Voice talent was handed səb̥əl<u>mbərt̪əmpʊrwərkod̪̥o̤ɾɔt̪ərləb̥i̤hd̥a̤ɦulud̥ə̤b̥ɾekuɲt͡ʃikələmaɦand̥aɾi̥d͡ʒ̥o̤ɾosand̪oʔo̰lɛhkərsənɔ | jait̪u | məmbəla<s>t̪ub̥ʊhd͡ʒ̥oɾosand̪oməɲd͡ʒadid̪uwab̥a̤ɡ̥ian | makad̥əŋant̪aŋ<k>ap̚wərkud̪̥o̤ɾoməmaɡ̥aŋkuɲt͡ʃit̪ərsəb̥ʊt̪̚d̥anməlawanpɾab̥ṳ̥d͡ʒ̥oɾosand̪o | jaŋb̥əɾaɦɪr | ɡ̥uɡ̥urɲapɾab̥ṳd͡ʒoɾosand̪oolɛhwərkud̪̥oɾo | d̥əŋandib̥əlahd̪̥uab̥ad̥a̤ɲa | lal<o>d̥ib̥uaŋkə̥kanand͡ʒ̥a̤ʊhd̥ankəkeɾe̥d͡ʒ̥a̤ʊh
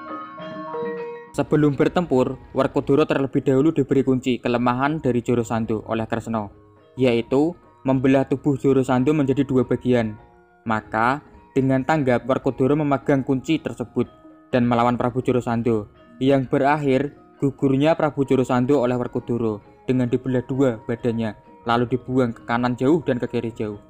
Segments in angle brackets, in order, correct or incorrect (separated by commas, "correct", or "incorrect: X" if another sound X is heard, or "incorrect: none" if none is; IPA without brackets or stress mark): incorrect: ʊ, incorrect: h, incorrect: ɡ, incorrect: u